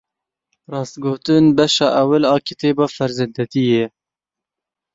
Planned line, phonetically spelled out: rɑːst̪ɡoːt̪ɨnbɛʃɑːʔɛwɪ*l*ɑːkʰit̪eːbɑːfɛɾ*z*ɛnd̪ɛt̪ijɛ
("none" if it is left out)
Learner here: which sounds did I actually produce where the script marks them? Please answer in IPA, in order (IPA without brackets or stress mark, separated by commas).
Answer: l, z